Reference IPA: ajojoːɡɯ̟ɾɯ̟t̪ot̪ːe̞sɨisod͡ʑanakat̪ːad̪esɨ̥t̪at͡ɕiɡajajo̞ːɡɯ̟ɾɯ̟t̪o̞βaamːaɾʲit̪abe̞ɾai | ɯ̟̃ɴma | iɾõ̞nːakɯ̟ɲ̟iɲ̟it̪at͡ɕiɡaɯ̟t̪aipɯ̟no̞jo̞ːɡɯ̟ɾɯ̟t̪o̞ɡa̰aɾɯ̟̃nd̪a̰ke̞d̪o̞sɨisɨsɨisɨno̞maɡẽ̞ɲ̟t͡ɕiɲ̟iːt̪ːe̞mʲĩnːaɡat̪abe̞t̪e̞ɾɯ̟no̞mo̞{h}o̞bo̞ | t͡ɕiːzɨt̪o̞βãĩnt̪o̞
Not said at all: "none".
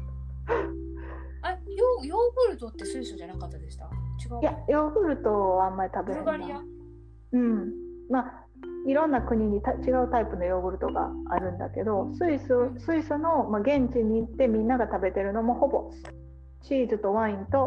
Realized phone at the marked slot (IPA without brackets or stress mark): h